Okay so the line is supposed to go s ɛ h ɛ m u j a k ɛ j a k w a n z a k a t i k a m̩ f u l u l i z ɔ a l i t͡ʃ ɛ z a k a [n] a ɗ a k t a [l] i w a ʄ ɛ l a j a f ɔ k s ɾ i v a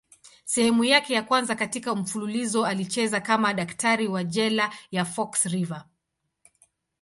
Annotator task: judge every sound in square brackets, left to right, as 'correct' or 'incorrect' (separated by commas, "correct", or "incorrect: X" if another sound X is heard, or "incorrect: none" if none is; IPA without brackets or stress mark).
incorrect: m, incorrect: ɾ